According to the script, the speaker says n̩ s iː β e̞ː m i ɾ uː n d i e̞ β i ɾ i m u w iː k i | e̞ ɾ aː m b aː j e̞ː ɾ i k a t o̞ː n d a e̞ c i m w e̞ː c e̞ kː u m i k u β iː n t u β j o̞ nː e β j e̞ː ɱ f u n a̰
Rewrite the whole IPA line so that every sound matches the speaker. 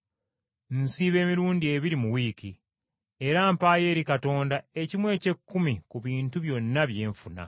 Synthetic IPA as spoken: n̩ s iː β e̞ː m i ɾ uː n d i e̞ β i ɾ i m u w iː k i | e̞ ɾ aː m p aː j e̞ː ɾ i k a t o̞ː n d a e̞ c i m w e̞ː c e̞ kː u m i k u β iː n t u β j o̞ nː a β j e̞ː ɱ f u n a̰